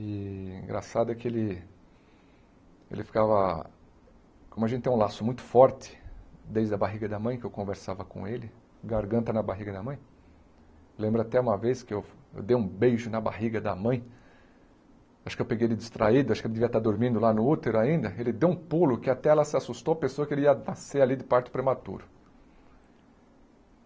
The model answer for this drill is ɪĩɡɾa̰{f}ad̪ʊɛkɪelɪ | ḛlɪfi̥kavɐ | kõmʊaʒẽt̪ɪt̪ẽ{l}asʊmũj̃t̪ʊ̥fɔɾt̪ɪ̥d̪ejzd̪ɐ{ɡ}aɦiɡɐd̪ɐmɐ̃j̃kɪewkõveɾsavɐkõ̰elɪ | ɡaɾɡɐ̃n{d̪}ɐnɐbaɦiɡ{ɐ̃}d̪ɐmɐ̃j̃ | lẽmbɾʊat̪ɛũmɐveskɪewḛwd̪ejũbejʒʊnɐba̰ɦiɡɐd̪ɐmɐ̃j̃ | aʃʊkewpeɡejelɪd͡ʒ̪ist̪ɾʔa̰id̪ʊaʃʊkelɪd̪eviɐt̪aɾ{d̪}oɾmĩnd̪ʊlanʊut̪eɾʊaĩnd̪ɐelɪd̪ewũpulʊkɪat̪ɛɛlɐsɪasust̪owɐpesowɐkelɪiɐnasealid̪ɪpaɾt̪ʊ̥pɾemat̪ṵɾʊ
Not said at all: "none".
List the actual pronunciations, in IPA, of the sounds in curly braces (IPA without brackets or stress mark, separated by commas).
s, l, b, t̪, ɐ, d̪